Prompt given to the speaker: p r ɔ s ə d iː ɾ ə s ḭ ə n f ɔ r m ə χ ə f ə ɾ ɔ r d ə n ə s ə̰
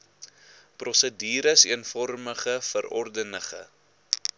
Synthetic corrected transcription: p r ɔ s ə d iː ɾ ə s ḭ ə n f ɔ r m ə χ ə f ə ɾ ɔ r d ə n ə χ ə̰

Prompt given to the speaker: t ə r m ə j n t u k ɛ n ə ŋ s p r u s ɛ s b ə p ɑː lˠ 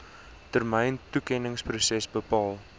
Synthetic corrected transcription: t ə r m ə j n t u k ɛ n ə ŋ s p r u s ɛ s b ə p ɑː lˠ

